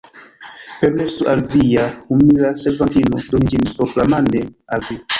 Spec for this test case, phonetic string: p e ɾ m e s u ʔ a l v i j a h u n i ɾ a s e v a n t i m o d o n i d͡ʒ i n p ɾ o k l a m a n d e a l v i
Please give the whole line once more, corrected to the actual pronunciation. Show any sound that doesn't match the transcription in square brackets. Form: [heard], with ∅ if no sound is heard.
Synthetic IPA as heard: p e ɾ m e s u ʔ a l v i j a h u [m] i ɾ a s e v a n t i [n] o d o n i d͡ʒ i n p ɾ o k l a m a n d e a l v i